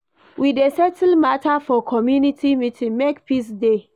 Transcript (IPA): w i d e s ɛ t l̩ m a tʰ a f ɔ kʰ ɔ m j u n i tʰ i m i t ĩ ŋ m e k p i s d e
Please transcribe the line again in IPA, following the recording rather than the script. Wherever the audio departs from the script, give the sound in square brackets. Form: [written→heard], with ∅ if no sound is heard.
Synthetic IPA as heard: w i d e s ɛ t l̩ m a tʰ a f ɔ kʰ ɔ m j u n i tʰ i m i t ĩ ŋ m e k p i s d e